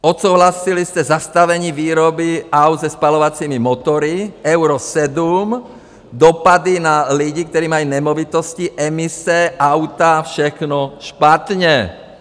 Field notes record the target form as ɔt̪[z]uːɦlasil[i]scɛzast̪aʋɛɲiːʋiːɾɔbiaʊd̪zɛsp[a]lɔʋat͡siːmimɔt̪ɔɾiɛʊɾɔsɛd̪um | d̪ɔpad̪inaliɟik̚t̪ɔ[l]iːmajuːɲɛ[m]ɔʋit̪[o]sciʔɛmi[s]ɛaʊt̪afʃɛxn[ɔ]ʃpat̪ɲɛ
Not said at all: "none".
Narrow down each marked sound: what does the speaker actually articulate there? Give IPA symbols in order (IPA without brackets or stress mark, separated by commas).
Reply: s, i, a, ɾ, m, ɔ, s, ɔ